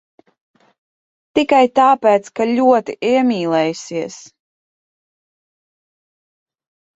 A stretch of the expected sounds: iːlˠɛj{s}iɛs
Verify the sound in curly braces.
correct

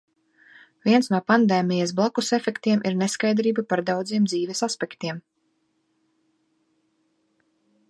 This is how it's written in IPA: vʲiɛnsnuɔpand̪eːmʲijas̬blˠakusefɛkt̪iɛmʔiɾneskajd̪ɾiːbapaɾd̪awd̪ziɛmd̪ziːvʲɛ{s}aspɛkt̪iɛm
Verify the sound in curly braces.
correct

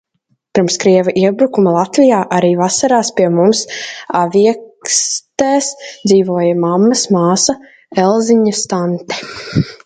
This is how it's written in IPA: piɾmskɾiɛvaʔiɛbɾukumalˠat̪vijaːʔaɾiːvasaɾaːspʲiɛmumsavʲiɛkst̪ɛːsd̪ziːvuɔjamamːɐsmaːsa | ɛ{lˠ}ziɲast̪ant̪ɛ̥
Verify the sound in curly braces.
correct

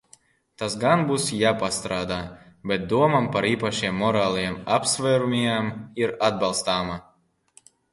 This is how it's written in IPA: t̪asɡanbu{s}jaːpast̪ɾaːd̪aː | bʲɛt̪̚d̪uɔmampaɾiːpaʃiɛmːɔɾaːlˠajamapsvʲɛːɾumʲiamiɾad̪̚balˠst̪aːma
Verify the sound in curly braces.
correct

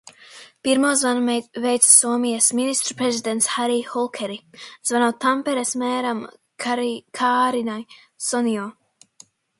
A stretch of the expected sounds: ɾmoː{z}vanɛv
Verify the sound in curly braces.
correct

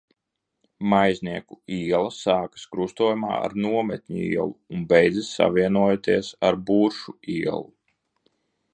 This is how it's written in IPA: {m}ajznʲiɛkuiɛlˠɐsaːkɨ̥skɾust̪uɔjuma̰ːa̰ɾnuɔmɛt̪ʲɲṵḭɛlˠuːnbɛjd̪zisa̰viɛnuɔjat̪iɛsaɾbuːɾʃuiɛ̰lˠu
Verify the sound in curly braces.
correct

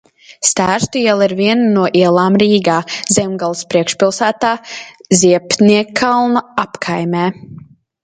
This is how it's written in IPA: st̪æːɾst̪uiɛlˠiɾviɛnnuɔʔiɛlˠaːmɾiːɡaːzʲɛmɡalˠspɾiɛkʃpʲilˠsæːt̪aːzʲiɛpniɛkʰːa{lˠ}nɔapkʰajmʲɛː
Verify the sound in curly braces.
correct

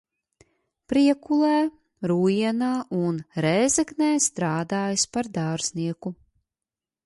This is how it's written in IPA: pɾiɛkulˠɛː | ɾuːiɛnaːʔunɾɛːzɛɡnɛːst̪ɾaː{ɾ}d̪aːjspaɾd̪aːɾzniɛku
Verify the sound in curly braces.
incorrect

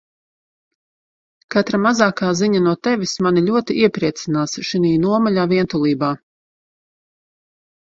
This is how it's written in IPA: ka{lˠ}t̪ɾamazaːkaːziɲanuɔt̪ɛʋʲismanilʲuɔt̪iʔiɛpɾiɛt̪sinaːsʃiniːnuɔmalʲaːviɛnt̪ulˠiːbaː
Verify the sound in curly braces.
incorrect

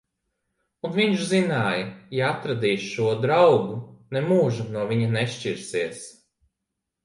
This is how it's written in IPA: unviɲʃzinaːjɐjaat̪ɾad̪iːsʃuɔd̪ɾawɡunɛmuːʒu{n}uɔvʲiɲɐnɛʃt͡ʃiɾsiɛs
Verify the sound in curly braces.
correct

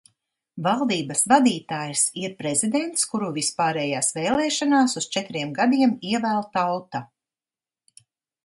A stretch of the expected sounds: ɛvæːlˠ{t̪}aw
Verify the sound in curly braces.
correct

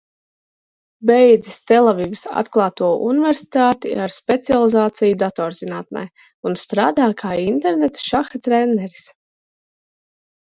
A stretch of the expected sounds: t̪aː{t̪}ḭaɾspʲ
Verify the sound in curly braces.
correct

